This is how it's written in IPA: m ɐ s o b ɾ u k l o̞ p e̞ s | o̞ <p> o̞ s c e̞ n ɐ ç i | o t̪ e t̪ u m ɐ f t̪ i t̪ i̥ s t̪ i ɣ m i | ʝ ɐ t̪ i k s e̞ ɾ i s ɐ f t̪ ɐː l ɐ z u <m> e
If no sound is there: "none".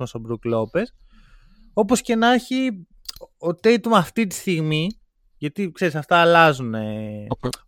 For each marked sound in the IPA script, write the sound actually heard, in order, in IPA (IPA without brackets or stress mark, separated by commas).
p, n